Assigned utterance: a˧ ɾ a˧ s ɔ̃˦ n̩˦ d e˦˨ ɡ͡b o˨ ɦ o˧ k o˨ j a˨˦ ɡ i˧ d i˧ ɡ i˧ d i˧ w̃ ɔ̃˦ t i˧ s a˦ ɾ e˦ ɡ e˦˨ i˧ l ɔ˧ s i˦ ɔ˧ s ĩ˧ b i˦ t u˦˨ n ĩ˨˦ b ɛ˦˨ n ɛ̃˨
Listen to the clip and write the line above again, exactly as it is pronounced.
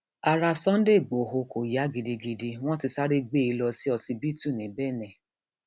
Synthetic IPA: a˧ ɾ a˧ s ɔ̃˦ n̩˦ d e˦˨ ɡ͡b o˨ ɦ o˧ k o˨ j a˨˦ ɡ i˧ d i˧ ɡ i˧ d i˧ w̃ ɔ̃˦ t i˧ s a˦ ɾ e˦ ɡ͡b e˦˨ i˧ l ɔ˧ s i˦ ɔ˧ s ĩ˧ b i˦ t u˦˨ n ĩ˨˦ b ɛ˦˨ n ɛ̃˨

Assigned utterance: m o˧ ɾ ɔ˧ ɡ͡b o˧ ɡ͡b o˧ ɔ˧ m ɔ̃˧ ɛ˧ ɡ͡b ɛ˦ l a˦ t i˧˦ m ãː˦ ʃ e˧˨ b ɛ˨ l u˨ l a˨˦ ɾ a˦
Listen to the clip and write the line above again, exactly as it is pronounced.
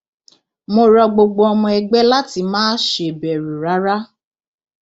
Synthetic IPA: m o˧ ɾ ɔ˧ ɡ͡b o˧ ɡ͡b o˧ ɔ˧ m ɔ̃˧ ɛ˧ ɡ͡b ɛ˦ l a˦ t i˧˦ m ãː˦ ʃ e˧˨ b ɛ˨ ɾ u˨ ɾ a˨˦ ɾ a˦

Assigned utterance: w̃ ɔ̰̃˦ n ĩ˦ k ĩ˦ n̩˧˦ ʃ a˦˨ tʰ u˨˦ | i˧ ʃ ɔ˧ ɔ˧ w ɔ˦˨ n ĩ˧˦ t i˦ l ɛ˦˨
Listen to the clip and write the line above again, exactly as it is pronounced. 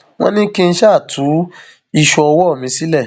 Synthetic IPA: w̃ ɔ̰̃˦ n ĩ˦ k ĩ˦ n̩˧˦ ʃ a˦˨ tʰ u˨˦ | i˧ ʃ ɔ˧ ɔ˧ w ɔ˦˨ m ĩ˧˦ s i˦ l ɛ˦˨

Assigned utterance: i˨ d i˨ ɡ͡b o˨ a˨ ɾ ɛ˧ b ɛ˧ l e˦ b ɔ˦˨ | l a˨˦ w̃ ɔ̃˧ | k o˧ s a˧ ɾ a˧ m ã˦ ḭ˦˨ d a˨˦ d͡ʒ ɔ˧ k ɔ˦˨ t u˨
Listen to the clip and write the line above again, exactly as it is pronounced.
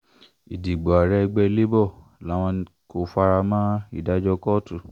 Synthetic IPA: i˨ d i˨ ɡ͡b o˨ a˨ ɾ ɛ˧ ɡ͡b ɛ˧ l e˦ b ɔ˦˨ | l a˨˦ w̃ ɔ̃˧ | k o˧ f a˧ ɾ a˧ m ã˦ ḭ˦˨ d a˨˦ d͡ʒ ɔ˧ k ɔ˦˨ t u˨

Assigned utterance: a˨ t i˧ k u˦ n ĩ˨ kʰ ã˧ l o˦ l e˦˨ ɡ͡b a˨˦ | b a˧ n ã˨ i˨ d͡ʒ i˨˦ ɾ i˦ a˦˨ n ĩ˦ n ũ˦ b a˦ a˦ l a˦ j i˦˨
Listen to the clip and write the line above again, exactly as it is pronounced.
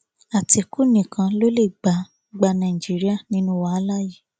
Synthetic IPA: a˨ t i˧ k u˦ n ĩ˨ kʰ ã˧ l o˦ l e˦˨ ɡ͡b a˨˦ | ɡ͡b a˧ n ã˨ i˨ d͡ʒ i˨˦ ɾ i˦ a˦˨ n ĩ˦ n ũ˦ w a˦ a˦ l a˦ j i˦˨

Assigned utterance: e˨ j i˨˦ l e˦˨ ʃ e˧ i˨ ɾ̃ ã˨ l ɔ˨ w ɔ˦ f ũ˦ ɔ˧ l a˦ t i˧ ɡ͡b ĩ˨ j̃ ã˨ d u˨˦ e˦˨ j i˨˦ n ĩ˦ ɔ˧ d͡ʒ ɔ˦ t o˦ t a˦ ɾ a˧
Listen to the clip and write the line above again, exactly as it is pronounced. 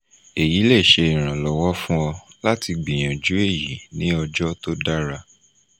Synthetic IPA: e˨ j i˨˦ l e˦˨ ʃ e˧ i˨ ɾ̃ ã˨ l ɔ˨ w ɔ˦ f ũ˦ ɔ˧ l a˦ t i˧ ɡ͡b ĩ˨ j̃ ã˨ d͡ʒ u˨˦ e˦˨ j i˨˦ n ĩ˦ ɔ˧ d͡ʒ ɔ˦ t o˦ d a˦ ɾ a˧

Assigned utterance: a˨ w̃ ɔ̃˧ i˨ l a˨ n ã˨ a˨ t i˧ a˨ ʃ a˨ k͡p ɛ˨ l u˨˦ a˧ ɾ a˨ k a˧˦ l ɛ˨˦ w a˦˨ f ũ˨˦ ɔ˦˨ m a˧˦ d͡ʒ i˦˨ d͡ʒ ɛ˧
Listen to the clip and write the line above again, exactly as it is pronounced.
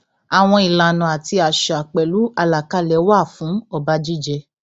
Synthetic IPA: a˨ w̃ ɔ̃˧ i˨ l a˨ n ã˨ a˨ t i˧ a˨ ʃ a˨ k͡p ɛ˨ l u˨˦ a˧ l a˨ k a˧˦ l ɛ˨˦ w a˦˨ f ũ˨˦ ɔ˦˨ b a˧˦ d͡ʒ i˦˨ d͡ʒ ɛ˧

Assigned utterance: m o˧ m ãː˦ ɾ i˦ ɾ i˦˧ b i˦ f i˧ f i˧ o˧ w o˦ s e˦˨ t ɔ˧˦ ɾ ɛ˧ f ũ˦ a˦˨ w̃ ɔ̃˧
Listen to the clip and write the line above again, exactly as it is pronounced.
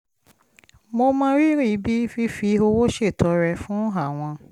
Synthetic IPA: m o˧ m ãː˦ ɾ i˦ ɾ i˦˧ b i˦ f i˧ f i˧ o˧ w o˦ ʃ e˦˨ t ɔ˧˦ ɾ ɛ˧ f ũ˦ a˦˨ w̃ ɔ̃˧

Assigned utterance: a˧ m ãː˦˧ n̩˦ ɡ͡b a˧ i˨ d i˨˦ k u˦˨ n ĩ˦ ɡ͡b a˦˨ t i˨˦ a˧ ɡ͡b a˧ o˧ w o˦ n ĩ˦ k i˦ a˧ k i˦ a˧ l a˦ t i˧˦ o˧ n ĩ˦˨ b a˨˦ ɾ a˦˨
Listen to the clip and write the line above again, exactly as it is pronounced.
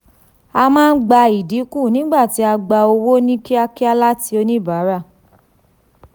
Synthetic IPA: a˧ m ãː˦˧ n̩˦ ɡ͡b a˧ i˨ d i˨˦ k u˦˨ n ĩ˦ ɡ͡b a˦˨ t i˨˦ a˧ ɡ͡b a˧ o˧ w o˦ n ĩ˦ k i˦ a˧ k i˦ a˧ l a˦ t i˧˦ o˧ n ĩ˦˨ b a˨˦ ɾ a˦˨

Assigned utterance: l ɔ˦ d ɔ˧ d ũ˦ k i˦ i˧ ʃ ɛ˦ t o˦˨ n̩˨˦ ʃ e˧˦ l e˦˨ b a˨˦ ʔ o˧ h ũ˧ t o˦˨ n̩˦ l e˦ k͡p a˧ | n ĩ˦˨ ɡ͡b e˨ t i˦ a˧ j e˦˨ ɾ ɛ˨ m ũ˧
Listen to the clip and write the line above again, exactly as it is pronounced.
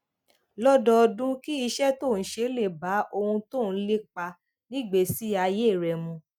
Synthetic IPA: l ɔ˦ d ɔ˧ d ũ˦ k i˦ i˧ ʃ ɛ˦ t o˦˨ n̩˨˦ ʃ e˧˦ l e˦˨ b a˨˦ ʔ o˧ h ũ˧ t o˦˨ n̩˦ l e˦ k͡p a˧ | n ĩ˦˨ ɡ͡b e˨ s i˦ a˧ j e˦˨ ɾ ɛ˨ m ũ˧

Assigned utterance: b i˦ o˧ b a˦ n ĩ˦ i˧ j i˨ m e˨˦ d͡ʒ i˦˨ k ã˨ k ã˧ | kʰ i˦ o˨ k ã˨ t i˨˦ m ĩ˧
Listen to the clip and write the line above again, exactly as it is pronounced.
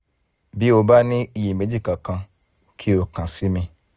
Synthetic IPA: b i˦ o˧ b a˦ n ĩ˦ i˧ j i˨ m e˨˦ d͡ʒ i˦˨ k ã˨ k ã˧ | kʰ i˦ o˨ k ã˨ s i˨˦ m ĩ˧

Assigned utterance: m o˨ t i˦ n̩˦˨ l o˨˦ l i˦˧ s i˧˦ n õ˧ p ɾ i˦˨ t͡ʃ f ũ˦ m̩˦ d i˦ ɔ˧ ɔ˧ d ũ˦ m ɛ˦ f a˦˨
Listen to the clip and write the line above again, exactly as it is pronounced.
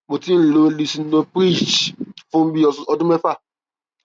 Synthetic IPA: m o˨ t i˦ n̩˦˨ l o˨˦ l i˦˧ s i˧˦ n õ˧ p ɾ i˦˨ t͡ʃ f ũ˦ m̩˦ b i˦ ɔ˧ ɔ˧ d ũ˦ m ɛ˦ f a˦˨

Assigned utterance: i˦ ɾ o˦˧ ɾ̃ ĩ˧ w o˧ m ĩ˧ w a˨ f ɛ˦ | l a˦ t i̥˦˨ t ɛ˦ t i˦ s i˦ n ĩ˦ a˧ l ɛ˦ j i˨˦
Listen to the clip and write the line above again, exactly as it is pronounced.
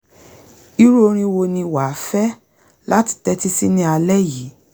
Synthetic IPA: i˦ ɾ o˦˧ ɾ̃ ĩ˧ w o˧ n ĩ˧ w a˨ f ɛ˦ | l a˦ t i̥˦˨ t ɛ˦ t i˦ s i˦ n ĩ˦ a˧ l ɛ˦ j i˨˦

